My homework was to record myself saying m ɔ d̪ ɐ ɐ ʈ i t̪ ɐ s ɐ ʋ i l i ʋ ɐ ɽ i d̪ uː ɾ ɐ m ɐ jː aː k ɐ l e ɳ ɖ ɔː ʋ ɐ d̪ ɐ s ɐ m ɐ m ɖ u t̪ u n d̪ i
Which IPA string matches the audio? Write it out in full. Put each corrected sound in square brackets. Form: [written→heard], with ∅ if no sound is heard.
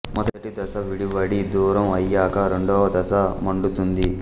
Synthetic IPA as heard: m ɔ d̪ ɐ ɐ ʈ i [t̪→d̪] ɐ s ɐ ʋ i [l→ɽ] i ʋ ɐ ɽ i d̪ uː ɾ ɐ m ɐ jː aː k ɐ [l→ɾ] e ɳ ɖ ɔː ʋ ɐ d̪ ɐ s ɐ m ɐ [m→ɳ] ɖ u t̪ u n d̪ i